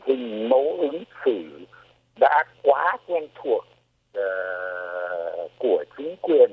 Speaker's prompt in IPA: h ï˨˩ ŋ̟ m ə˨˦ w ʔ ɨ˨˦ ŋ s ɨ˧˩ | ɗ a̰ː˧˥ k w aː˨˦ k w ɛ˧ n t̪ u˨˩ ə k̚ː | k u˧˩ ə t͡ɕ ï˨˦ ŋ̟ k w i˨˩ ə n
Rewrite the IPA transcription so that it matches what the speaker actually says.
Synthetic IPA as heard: h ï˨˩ ŋ̟ m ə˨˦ w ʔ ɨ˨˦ ŋ s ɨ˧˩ | ɗ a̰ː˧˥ k w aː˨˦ k w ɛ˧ n t̪ʰ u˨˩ ə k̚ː | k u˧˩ ə t͡ɕ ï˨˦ ŋ̟ k w i˨˩ ə n